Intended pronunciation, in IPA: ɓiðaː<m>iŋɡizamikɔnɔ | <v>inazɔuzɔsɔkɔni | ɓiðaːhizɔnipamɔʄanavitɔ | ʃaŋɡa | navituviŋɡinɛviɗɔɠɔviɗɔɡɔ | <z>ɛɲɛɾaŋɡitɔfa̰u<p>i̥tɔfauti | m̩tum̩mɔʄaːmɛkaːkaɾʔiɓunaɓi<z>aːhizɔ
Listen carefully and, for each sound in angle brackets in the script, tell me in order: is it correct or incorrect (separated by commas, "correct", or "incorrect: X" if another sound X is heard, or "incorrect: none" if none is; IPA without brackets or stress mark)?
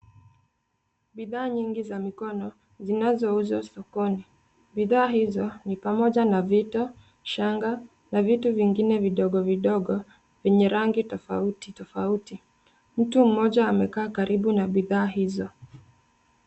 incorrect: ɲ, incorrect: z, incorrect: v, incorrect: t, incorrect: ð